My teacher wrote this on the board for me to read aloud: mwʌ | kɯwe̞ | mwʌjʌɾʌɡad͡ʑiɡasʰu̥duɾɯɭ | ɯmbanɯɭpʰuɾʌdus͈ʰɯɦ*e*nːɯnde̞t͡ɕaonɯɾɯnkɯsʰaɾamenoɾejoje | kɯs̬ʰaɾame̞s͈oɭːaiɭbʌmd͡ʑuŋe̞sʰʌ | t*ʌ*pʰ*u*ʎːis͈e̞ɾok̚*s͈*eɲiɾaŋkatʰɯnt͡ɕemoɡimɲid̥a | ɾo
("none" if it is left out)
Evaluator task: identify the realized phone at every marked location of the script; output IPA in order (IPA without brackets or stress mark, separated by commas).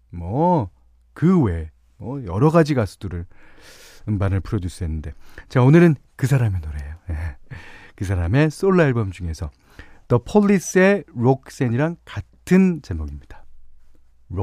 e, ʌ, o, s͈